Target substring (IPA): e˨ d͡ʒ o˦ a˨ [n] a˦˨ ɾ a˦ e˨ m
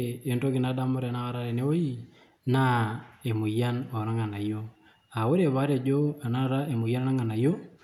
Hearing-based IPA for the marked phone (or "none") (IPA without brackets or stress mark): n